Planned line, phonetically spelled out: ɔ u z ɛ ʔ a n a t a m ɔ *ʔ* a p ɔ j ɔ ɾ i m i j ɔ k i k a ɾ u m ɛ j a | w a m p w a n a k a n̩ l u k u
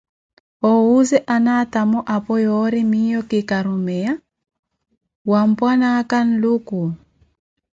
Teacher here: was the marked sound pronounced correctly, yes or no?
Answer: yes